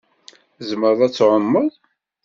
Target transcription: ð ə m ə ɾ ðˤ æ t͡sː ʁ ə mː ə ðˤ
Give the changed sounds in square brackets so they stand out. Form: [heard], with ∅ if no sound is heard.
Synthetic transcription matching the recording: [z] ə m ə ɾ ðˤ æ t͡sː [ʕ] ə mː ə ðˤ